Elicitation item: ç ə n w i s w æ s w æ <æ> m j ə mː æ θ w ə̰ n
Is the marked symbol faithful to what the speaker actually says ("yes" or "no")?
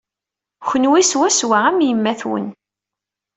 yes